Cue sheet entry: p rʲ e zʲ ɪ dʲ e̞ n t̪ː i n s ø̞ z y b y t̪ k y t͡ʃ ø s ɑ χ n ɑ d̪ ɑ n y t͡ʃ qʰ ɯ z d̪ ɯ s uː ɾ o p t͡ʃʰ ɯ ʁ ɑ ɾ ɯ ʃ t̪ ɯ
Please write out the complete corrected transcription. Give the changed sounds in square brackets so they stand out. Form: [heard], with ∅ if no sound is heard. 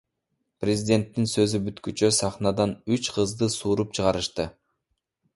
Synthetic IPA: p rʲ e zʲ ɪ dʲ e̞ n t̪ː i n s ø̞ z y b y t̪ k y t͡ʃ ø s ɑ χ n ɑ d̪ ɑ n y t͡ʃ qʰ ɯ z d̪ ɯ s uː ɾ [u] p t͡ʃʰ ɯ ʁ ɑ ɾ ɯ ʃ t̪ ɯ